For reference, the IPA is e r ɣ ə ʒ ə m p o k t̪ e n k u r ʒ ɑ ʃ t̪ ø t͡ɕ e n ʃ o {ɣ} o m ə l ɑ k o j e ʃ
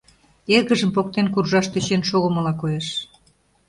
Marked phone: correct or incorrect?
correct